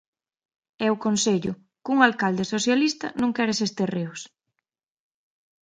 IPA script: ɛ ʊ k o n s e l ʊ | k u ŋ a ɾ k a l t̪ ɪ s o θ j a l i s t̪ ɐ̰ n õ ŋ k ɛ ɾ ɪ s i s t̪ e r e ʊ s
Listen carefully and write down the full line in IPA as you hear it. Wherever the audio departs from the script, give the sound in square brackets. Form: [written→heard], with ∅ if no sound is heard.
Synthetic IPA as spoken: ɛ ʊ k o n s e [l→ʎ] ʊ | k u ŋ a [ɾ→l] k a l [t̪→d̪] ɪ s o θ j a l i s t̪ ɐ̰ n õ ŋ k ɛ ɾ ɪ s [i→e] s t̪ e r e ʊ s